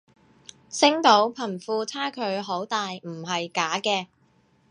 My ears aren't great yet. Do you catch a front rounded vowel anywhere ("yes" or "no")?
no